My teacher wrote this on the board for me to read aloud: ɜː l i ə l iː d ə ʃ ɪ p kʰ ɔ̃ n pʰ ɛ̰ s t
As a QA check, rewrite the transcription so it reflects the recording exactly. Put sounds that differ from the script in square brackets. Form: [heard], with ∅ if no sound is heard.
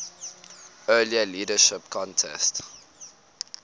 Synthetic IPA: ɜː l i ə l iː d ə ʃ ɪ p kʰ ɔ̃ n [tʰ] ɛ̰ s t